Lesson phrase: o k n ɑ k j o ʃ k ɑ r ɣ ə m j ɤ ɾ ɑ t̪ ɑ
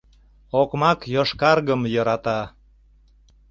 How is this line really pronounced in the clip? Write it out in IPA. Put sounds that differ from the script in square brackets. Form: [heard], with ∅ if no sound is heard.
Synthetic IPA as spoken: o k [m] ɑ k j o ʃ k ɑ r ɣ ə m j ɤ ɾ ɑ t̪ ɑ